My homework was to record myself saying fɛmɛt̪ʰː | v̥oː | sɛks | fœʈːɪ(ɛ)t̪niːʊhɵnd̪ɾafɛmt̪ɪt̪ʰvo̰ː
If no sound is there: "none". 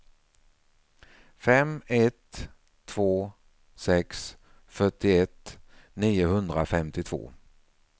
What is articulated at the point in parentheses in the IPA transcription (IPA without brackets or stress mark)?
ɛ